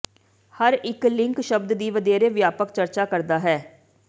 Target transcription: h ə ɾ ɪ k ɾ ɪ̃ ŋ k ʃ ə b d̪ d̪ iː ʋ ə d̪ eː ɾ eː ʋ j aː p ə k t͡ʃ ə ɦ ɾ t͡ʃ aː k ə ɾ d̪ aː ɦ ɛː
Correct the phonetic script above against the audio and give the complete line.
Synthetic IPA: h ə ɾ ɪ k l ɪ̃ ŋ k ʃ ə b d̪ d̪ iː ʋ ə d̪ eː ɾ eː ʋ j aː p ə k t͡ʃ ə ɾ t͡ʃ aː k ə ɾ d̪ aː ɦ ɛː